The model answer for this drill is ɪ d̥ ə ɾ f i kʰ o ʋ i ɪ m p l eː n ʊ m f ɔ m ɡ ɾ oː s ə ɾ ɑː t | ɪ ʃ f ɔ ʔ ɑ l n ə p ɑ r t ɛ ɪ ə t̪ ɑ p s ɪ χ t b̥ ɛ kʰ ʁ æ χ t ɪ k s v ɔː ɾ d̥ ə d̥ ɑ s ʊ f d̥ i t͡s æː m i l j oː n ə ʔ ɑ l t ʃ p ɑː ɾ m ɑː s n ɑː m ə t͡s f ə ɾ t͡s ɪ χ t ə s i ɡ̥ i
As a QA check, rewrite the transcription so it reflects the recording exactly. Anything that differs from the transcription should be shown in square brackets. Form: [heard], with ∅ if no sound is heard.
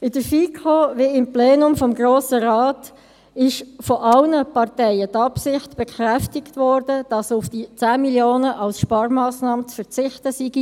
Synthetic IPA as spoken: ɪ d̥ ə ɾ f i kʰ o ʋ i ɪ m p l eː n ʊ m f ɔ m ɡ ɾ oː s ə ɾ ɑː t | ɪ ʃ f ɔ ʔ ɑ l n ə p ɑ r t ɛ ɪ ə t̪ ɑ p s ɪ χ t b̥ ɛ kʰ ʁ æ [f] t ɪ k [t] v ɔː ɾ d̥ ə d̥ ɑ s ʊ f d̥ i t͡s æː m i l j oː n ə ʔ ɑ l [s] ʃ p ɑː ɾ m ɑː s n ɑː m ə t͡s f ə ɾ t͡s ɪ χ t ə s i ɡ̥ i